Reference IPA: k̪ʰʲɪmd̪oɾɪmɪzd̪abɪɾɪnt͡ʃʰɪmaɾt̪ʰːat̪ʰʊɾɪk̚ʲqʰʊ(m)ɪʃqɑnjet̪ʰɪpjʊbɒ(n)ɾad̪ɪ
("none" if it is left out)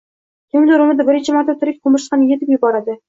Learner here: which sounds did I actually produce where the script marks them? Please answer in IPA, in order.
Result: m, none

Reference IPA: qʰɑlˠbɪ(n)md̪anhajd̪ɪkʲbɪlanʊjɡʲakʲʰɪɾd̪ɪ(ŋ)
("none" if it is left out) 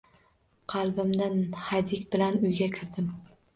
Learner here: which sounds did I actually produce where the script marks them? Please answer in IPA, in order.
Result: none, m

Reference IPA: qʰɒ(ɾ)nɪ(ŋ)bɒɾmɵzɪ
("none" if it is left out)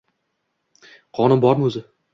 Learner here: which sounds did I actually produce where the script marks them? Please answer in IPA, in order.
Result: none, m

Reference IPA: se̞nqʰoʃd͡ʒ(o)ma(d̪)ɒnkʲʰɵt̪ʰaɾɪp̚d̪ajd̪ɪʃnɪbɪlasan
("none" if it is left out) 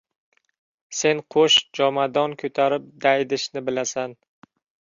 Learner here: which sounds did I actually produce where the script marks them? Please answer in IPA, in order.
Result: ɒ, d̪

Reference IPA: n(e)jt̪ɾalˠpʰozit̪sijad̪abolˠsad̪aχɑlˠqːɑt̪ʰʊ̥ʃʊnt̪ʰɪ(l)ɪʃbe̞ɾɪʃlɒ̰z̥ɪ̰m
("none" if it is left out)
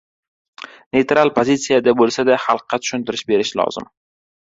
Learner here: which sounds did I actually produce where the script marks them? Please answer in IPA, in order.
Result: e, ɾ

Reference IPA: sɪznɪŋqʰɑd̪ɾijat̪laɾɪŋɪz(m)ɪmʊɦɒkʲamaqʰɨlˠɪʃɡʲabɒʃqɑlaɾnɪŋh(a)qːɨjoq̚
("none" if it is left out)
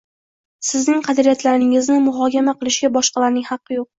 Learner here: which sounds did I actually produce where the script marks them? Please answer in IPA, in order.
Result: n, ɑ

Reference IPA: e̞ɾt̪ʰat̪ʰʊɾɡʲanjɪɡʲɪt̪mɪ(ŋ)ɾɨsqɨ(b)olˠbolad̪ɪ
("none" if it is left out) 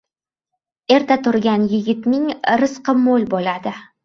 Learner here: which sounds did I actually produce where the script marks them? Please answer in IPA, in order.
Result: ŋ, m

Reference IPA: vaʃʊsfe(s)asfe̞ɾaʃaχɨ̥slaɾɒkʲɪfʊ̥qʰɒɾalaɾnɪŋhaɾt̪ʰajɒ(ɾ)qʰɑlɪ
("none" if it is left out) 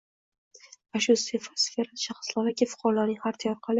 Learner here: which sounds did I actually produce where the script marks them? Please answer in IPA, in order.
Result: f, ɾ

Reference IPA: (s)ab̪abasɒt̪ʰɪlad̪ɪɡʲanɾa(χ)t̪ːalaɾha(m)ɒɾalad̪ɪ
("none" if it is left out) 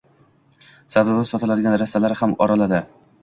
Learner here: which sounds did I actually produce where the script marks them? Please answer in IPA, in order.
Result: s, s, m

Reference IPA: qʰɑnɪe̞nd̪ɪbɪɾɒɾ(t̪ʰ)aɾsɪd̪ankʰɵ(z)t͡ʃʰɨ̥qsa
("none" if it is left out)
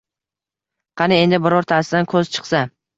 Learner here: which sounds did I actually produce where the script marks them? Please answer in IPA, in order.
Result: t̪ʰ, z

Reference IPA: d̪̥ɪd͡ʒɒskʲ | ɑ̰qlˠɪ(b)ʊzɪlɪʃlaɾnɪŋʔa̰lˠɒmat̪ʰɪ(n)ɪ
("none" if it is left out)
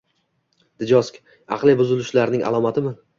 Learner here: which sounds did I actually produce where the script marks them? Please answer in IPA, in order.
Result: b, m

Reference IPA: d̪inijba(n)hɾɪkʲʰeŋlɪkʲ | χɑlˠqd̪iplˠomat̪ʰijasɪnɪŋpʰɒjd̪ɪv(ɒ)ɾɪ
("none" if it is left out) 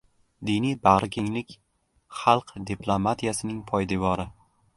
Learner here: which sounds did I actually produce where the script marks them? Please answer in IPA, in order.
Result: none, ɒ

